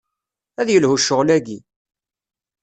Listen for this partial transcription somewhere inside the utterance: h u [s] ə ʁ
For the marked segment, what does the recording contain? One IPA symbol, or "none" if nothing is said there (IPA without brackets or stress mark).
ʃ